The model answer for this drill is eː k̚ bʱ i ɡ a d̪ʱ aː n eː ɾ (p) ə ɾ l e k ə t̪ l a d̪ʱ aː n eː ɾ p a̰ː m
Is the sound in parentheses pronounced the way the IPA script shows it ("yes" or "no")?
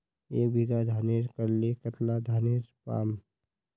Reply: no